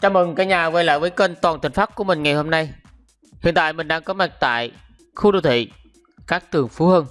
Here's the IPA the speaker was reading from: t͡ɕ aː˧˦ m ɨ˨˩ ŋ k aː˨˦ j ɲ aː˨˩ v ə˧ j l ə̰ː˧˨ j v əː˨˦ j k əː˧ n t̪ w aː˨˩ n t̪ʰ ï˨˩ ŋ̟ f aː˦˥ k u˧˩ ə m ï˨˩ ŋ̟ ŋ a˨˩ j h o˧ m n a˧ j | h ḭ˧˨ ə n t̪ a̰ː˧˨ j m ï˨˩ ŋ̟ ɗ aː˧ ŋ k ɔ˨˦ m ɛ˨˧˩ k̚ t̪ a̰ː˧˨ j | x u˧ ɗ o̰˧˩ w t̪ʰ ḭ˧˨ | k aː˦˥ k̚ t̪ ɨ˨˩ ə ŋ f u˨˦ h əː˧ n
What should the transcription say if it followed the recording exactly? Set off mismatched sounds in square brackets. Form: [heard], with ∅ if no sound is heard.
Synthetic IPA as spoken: t͡ɕ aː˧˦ m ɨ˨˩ ŋ k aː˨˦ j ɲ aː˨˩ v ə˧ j l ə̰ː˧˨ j v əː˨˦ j k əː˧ n t̪ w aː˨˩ n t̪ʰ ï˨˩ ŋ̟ f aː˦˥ k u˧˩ ə m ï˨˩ ŋ̟ ŋ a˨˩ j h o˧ m n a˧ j | h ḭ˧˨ ə n t̪ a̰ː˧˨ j m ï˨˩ ŋ̟ ɗ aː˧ ŋ k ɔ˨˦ m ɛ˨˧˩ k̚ t̪ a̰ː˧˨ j | x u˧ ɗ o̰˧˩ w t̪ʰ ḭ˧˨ | k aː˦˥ k̚ t̪ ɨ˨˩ ə ŋ f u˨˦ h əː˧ n